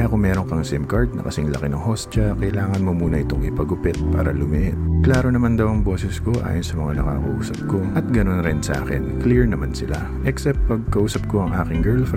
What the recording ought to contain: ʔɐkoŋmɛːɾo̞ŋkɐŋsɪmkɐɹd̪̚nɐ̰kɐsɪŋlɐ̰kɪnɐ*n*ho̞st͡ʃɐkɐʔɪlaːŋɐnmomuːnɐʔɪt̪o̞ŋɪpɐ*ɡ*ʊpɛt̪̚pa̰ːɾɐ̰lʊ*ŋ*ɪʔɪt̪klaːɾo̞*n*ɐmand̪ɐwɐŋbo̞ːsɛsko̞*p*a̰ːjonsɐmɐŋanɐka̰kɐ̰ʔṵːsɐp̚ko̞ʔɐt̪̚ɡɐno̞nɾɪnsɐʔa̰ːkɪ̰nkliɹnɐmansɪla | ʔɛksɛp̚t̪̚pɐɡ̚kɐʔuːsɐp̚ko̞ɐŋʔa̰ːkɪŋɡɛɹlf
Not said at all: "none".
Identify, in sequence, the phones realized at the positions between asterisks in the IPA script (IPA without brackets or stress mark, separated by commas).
ŋ, ɡ, m, n, ʔ